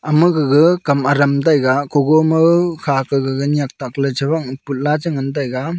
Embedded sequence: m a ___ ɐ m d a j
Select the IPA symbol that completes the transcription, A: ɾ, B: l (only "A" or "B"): A